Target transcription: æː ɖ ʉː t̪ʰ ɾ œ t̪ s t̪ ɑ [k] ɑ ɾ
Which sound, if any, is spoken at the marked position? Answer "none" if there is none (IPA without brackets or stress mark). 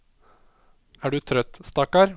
k